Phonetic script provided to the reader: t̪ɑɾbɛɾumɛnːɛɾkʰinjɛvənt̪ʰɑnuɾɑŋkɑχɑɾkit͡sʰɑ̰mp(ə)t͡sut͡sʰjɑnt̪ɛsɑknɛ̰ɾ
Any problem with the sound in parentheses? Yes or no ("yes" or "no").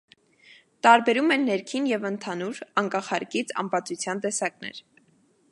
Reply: yes